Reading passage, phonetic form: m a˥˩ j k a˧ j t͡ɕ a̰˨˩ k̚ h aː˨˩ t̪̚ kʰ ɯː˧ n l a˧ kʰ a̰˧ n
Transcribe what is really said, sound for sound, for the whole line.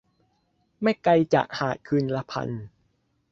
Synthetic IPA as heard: m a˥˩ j k a˧ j t͡ɕ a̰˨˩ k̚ h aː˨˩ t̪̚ kʰ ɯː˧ n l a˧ pʰ a̰˧ n